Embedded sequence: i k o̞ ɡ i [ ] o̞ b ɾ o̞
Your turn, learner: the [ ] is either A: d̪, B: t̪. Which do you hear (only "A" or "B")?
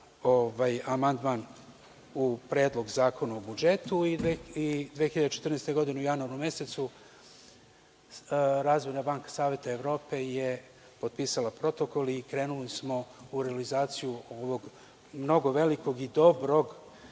A